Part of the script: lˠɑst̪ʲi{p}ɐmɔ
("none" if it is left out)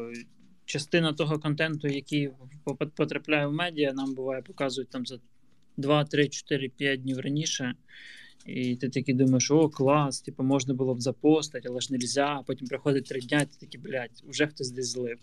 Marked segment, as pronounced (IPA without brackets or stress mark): p